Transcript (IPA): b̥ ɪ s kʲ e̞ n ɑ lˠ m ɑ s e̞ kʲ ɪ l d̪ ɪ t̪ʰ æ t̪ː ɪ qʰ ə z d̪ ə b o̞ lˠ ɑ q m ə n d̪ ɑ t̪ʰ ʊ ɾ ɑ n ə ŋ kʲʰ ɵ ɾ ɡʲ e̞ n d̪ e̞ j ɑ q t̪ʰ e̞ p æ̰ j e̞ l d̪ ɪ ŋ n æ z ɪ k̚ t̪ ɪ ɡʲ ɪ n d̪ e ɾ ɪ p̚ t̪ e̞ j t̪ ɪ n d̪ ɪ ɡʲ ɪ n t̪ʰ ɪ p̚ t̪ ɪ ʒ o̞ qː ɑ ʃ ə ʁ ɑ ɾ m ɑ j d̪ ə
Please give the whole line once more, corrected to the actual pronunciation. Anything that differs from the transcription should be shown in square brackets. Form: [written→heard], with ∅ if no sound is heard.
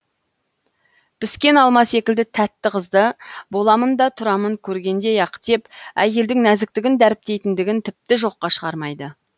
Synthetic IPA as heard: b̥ ɪ s kʲ e̞ n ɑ lˠ m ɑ s e̞ kʲ ɪ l d̪ ɪ t̪ʰ æ t̪ː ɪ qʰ ə z d̪ ə b o̞ lˠ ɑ [q→∅] m ə n d̪ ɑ t̪ʰ ʊ ɾ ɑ [n→m] ə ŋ kʲʰ ɵ ɾ ɡʲ e̞ n d̪ e̞ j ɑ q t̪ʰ e̞ p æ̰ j e̞ l d̪ ɪ ŋ n æ z ɪ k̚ t̪ ɪ ɡʲ ɪ n d̪ [e→æ] ɾ ɪ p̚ t̪ e̞ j t̪ ɪ n d̪ ɪ ɡʲ ɪ n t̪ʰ ɪ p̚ t̪ ɪ ʒ o̞ qː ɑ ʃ ə ʁ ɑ ɾ m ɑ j d̪ ə